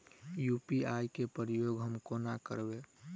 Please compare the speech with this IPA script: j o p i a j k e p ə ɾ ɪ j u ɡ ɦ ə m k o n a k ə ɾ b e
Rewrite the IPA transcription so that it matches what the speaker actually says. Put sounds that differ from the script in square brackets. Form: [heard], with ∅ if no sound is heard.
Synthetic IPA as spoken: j [u] p i a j k e p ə ɾ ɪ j [o] ɡ ɦ ə m k o n a k ə ɾ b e